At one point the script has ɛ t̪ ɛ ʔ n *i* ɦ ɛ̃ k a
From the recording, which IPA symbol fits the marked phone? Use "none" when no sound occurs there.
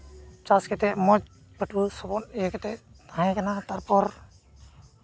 a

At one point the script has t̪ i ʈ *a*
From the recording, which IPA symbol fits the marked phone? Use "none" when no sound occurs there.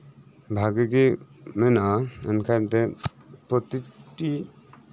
i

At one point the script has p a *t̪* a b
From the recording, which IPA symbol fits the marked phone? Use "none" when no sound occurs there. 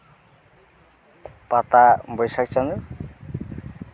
t̪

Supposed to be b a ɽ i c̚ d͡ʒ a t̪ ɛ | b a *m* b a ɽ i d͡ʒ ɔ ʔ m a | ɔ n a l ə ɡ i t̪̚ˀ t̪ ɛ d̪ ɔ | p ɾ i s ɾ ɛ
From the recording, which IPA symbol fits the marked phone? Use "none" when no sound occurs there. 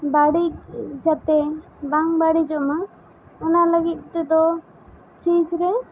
ŋ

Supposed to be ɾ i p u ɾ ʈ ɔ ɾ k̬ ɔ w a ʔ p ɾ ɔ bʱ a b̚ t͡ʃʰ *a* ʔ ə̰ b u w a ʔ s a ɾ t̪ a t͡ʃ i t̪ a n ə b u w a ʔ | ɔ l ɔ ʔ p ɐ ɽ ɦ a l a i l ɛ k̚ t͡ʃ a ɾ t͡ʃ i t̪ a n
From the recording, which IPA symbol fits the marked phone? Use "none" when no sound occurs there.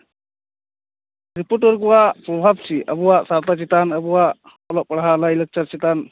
i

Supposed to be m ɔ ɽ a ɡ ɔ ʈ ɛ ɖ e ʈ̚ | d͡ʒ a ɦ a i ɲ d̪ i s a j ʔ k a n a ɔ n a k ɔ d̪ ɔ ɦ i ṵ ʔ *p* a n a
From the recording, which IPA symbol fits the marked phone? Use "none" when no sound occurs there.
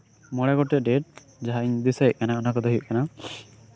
k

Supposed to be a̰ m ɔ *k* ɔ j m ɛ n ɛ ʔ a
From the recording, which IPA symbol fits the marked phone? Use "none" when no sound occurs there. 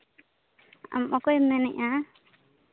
k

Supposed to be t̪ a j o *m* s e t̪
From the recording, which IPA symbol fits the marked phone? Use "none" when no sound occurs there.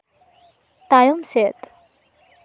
m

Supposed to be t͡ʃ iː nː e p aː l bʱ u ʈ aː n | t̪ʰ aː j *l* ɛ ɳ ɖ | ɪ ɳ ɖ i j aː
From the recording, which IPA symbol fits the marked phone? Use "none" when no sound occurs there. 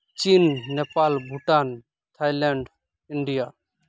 l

